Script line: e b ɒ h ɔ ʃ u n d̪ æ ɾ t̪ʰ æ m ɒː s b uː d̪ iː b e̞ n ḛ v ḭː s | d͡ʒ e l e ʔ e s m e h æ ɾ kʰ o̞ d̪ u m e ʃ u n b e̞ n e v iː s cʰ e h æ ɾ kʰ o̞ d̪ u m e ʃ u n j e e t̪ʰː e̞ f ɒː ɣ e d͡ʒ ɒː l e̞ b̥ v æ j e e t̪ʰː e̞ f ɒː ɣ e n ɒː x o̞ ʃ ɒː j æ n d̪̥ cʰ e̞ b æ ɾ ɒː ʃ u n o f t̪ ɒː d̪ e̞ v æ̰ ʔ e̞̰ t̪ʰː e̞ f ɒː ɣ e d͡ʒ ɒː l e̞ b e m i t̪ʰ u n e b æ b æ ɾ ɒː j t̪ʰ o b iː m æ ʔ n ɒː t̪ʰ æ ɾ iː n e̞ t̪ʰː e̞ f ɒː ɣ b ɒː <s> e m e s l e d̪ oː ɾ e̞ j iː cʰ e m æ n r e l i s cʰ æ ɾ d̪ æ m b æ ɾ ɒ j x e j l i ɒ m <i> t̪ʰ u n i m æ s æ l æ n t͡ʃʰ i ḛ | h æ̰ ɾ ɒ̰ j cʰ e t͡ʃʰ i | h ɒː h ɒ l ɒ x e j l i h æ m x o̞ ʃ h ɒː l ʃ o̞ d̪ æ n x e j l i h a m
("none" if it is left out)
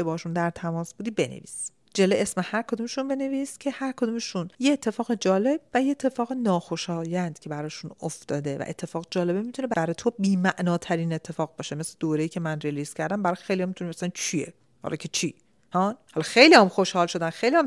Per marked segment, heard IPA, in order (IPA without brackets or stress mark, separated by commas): ʃ, i